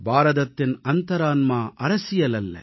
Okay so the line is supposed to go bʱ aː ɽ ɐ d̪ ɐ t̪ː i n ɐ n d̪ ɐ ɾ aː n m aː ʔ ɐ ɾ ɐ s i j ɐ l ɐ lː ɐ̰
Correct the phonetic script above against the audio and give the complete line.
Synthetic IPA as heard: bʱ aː ɾ ɐ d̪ ɐ t̪ː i n ɐ n t̪ ɐ ɾ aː n m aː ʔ ɐ ɾ ɐ s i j ɐ l ɐ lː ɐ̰